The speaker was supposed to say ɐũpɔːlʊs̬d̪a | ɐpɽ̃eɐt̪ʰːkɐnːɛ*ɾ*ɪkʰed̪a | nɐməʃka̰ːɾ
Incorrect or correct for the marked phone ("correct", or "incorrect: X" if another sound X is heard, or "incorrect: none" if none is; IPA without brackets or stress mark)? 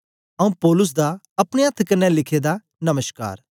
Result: incorrect: l